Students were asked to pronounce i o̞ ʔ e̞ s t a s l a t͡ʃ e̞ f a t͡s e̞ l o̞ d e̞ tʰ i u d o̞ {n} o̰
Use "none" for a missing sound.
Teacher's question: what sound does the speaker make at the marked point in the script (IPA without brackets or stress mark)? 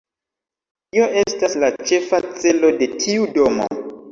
m